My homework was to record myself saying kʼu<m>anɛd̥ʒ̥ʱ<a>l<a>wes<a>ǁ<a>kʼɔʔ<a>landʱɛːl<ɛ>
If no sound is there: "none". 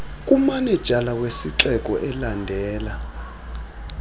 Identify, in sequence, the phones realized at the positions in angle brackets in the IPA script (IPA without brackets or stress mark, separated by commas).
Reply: m, a, a, i, ɛ, ɛ, a